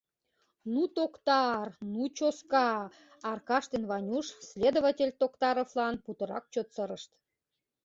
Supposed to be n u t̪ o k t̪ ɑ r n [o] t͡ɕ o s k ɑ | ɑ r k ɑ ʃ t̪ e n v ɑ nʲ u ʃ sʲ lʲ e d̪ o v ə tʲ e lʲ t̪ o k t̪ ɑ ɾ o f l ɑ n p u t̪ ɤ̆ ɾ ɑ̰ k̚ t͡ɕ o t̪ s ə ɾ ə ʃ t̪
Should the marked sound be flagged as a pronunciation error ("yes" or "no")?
yes